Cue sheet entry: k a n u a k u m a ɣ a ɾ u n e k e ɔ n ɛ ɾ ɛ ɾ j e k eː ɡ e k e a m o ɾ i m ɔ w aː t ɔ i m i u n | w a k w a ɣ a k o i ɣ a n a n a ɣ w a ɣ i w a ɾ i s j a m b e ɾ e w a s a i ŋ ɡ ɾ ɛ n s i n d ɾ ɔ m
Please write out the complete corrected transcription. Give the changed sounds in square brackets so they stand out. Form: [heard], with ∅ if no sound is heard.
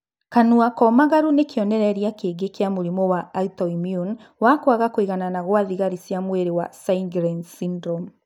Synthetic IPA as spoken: k a n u a k [ɔ] m a ɣ a ɾ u n e k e ɔ n ɛ ɾ ɛ ɾ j [a] k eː ɡ e k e a m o ɾ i m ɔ w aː t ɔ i m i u n | w a k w a ɣ a k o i ɣ a n a n a ɣ w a [ð] i [ɣ] a ɾ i s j a m [w] e ɾ e w a s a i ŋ ɡ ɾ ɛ n s i n d ɾ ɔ m